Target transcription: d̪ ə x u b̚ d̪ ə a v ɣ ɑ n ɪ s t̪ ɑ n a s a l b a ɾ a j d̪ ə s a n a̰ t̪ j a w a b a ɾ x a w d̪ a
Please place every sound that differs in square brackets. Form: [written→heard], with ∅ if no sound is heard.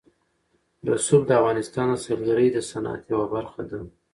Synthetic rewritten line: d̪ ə [x→s] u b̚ d̪ ə a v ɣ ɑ n ɪ s t̪ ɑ n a s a l [b→ɡ] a ɾ [a→ə] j d̪ ə s a n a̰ t̪ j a w a b a ɾ x a [w→∅] d̪ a